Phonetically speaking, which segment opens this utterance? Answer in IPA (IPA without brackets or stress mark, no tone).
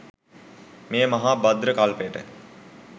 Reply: m